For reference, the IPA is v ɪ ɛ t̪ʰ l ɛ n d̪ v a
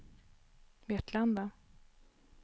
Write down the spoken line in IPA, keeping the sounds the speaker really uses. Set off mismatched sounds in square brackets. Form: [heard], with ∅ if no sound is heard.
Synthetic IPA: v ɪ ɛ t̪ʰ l [a] n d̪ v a